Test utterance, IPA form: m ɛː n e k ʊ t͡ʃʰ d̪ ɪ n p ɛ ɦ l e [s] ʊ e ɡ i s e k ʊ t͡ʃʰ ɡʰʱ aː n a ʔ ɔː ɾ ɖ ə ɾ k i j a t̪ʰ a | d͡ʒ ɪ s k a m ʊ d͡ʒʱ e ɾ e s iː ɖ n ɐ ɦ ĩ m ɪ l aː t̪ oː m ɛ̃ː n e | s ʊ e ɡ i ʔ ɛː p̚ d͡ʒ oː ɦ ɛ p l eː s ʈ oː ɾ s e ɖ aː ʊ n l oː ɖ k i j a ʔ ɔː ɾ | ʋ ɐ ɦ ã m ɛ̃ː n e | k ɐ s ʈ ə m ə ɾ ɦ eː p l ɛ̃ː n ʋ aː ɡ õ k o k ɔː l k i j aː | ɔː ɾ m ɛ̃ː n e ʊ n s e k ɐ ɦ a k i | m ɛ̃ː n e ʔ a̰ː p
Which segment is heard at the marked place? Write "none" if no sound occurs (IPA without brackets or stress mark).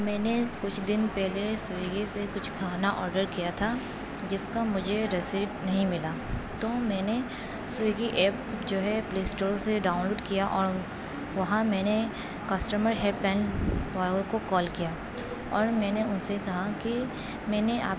s